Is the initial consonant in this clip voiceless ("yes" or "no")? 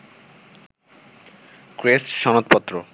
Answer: yes